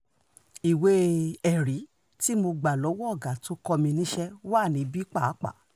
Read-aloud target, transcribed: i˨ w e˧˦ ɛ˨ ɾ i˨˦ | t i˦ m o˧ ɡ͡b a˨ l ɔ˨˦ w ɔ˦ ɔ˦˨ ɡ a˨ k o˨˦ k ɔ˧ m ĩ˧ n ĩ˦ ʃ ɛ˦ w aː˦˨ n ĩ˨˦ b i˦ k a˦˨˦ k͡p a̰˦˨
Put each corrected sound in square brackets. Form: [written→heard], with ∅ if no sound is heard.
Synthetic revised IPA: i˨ w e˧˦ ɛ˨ ɾ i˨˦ | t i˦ m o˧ ɡ͡b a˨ l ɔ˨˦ w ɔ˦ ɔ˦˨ ɡ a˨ [k→t] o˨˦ k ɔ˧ m ĩ˧ n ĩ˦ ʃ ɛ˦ w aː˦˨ n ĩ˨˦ b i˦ [k→k͡p] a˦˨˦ k͡p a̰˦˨